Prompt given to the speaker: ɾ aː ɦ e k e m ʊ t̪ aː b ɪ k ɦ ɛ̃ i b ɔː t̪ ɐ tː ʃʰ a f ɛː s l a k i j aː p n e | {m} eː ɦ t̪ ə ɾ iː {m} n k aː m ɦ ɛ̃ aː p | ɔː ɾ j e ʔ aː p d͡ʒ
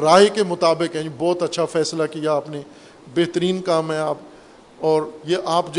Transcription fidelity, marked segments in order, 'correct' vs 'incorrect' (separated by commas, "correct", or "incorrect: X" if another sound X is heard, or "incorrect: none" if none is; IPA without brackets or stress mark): incorrect: b, incorrect: none